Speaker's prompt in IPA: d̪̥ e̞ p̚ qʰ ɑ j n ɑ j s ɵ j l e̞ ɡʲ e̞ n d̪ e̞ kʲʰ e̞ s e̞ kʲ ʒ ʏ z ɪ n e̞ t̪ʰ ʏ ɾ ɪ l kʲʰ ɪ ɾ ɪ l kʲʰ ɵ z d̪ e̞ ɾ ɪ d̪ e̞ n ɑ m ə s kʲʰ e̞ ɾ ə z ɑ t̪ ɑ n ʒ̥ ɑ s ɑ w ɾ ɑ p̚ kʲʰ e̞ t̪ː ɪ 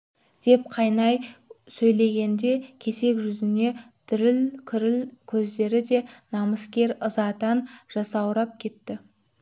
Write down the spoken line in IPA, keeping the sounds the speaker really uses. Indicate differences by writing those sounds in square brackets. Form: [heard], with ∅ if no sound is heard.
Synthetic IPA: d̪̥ e̞ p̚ qʰ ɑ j n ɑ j s ɵ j l e̞ ɡʲ e̞ n d̪ e̞ kʲʰ e̞ s e̞ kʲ ʒ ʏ z ɪ n e̞ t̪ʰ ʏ ɾ ɪ l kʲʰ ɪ ɾ ɪ l kʲʰ ɵ z d̪ e̞ ɾ ɪ d̪ e̞ n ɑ m ə s [kʲ] e̞ ɾ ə z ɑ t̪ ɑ n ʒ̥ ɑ s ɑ w ɾ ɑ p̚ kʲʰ e̞ t̪ː ɪ